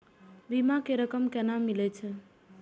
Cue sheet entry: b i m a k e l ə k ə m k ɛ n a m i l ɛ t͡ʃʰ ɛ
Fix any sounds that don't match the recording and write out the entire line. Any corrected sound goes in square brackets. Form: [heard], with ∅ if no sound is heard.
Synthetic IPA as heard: b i m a k e [ɾ] ə k ə m k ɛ n a m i l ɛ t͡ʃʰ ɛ